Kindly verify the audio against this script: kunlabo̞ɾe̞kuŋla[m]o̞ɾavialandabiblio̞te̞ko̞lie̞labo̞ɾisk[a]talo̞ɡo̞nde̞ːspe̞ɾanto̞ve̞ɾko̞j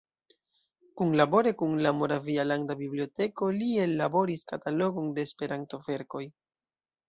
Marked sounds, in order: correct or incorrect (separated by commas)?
correct, correct